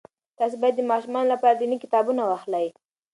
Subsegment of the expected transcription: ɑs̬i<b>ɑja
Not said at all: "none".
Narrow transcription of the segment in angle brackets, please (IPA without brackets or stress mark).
b